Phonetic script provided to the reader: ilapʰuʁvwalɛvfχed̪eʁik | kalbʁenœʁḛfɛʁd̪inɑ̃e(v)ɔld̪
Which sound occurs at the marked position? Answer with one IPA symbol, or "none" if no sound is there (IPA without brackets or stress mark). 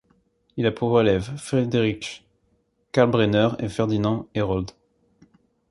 ʁ